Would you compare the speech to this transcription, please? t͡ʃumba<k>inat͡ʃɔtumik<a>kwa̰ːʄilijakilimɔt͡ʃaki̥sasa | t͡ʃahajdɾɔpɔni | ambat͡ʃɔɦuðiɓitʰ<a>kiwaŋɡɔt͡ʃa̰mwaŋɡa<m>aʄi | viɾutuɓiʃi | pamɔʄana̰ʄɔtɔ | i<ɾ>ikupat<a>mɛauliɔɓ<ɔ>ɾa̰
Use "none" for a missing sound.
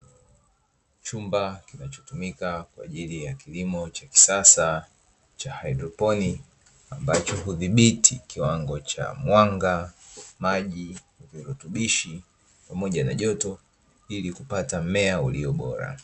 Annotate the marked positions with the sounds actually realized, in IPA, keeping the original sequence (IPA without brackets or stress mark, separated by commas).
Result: k, a, i, m, l, a, ɔ